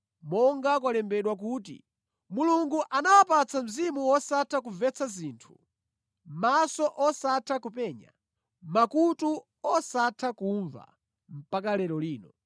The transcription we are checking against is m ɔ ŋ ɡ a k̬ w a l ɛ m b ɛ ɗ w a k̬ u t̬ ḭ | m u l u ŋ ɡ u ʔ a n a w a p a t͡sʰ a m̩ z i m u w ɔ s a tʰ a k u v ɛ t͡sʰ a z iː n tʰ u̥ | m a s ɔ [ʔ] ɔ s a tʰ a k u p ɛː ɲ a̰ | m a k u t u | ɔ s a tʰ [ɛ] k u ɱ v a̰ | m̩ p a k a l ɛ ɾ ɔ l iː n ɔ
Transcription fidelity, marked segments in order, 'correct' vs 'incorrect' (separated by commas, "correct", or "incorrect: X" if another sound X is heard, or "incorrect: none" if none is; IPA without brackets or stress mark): correct, incorrect: a